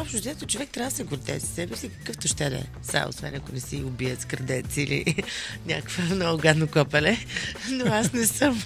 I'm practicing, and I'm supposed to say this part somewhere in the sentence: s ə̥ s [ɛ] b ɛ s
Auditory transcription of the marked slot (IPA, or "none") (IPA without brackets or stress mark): ɛ